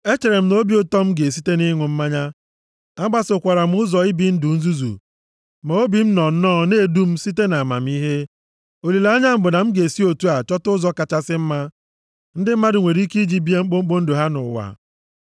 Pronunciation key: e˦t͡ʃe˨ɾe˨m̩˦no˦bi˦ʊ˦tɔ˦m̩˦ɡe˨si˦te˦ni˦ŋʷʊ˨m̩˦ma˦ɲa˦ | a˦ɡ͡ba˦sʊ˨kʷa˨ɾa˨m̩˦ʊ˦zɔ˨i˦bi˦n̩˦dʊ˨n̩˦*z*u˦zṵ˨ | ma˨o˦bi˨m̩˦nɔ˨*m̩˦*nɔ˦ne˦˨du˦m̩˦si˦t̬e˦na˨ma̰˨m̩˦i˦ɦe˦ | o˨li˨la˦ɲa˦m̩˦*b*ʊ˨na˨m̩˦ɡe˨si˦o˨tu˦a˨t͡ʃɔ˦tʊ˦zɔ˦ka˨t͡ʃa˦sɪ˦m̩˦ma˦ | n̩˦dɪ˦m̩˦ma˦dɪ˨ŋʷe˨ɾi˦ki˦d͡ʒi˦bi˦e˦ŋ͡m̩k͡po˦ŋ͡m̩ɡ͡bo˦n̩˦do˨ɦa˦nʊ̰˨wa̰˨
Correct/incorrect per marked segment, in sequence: correct, incorrect: n̩˦, correct

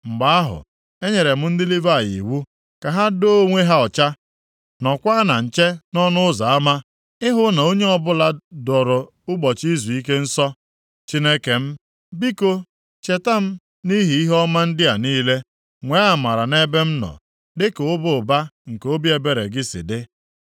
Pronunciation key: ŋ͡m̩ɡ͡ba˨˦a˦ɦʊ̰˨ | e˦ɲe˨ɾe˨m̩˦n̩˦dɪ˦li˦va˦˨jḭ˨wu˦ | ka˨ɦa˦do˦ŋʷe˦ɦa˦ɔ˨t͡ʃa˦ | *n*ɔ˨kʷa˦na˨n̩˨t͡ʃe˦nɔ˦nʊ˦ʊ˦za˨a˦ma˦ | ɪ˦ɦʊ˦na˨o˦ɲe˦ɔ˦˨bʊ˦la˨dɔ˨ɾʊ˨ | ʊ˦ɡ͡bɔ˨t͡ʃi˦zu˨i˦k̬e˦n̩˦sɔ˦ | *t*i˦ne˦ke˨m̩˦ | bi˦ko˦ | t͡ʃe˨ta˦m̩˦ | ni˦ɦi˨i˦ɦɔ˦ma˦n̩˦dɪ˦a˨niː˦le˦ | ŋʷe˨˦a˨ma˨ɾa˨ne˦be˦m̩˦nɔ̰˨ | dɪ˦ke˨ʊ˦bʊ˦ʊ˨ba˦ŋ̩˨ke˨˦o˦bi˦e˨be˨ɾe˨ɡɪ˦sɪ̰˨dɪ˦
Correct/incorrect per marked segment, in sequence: correct, incorrect: t͡ʃ

